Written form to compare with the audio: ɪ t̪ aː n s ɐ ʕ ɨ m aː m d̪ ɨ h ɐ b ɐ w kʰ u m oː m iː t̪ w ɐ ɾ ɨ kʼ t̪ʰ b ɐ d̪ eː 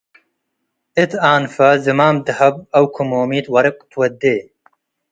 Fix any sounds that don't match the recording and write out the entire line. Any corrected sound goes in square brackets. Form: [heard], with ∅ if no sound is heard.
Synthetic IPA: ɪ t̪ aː n [f] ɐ [z] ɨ m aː m d̪ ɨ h ɐ b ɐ w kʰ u m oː m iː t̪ w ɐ ɾ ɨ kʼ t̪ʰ [w] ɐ d̪ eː